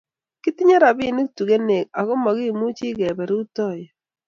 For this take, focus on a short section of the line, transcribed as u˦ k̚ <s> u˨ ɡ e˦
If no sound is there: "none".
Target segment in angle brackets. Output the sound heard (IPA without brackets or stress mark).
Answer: t